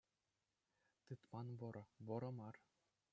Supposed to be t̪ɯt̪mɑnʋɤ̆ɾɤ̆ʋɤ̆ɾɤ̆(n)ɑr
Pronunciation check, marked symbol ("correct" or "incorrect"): incorrect